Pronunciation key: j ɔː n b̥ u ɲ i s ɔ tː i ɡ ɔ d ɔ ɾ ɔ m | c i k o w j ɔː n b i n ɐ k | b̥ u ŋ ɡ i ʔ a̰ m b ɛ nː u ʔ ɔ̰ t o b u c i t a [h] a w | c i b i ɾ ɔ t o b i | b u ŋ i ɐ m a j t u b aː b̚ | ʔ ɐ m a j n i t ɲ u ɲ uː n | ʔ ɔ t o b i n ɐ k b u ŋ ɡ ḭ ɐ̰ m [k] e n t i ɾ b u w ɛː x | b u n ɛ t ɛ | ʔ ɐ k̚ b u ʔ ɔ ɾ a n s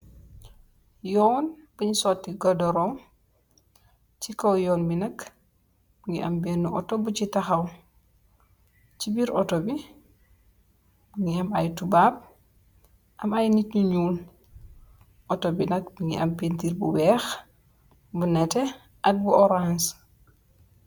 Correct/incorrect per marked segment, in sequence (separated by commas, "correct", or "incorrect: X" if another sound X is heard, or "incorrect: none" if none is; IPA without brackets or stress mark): incorrect: x, incorrect: p